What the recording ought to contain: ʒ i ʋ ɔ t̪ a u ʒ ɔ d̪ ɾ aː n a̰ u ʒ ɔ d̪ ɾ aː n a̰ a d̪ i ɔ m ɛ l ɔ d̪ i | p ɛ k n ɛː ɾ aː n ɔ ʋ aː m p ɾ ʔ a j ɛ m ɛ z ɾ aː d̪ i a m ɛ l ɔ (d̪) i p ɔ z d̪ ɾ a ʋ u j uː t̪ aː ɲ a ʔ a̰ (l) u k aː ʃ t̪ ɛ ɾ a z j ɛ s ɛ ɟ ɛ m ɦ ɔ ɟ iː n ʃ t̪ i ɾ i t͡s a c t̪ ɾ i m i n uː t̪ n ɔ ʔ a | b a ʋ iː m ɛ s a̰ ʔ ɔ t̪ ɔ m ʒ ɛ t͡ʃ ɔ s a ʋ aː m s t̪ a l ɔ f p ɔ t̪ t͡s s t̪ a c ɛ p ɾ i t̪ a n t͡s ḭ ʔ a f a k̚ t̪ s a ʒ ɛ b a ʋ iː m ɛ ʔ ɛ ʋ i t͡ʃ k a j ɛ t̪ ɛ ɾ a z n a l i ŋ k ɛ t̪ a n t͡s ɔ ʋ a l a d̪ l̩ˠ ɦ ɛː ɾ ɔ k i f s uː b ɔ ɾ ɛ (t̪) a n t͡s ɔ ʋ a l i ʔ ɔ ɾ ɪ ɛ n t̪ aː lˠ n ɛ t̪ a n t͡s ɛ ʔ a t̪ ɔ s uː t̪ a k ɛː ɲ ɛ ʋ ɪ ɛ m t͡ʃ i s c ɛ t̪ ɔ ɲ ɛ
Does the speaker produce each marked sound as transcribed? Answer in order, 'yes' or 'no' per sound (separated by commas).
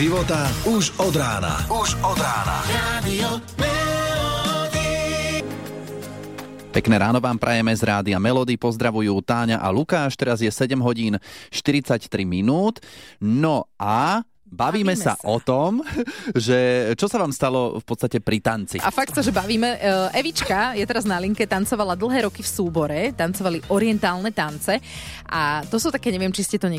yes, yes, yes